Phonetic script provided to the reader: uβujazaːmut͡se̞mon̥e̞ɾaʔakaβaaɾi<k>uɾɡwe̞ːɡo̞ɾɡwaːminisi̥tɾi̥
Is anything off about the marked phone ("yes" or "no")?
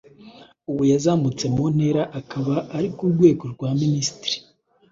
no